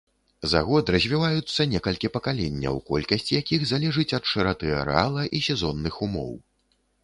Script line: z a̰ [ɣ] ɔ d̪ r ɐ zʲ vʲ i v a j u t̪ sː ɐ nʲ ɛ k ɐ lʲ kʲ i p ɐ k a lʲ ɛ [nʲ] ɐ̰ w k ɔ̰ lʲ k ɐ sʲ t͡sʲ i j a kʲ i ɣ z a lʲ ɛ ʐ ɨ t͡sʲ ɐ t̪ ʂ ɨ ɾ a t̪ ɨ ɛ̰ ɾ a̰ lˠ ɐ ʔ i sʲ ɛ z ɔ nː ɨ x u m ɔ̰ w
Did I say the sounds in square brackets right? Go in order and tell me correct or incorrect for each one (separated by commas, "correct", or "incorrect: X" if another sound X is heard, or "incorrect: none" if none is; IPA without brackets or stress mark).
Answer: correct, incorrect: nʲː